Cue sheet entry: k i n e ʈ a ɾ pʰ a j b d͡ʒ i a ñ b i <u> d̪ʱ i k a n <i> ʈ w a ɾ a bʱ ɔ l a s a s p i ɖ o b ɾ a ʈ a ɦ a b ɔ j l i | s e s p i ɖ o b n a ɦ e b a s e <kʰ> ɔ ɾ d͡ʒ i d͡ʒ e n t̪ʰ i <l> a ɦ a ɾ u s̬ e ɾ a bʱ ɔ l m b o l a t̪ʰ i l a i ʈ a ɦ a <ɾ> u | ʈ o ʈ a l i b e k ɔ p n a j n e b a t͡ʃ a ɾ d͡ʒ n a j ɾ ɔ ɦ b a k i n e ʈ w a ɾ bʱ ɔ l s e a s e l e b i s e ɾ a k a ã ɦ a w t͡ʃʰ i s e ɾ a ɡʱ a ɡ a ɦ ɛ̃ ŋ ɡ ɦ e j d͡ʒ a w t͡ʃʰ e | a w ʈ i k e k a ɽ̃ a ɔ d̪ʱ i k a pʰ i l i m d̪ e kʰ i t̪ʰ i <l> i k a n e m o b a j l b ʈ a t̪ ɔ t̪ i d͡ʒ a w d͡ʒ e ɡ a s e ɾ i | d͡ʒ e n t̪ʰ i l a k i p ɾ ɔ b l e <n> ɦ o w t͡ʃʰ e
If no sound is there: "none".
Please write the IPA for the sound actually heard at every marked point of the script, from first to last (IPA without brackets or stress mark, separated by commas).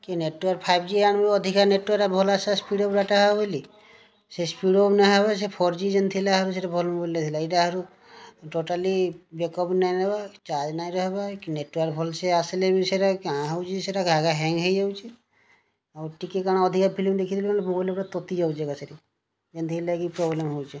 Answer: ɔ, e, pʰ, l, ɾ, l, m